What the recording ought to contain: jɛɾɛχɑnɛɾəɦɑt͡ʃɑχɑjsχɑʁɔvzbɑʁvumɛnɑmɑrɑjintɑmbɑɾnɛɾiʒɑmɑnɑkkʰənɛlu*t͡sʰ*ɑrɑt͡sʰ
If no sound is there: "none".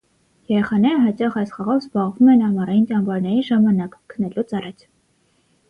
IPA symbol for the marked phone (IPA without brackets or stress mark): t͡s